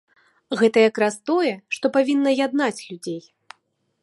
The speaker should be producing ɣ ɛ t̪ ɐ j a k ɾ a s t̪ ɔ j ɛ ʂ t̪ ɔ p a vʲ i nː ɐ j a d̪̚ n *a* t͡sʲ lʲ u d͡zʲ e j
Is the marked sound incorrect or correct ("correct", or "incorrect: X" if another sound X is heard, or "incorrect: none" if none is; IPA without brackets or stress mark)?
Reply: correct